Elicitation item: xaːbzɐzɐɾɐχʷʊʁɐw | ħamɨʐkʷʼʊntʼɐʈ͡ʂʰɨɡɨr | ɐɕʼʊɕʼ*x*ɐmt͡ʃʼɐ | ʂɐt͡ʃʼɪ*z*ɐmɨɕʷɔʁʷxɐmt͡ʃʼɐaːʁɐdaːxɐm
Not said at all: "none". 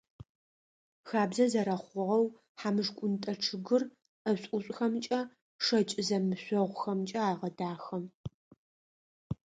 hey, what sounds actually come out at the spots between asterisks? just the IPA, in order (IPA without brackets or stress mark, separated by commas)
x, z